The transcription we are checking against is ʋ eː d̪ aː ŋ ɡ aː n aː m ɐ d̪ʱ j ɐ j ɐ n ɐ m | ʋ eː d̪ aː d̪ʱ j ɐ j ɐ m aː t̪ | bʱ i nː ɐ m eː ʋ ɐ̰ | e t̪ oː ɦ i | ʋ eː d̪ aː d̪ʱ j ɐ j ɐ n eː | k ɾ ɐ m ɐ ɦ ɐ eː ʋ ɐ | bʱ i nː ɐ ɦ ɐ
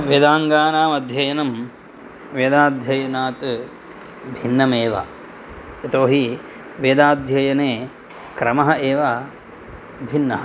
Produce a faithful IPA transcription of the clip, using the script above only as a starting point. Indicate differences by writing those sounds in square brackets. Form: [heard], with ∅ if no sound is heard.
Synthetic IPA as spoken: ʋ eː d̪ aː ŋ ɡ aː n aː m ɐ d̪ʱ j ɐ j ɐ n ɐ m | ʋ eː d̪ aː d̪ʱ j ɐ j ɐ [n] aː t̪ | bʱ i nː ɐ m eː ʋ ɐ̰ | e t̪ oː ɦ i | ʋ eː d̪ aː d̪ʱ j ɐ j ɐ n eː | k ɾ ɐ m ɐ ɦ ɐ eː ʋ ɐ | bʱ i nː ɐ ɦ ɐ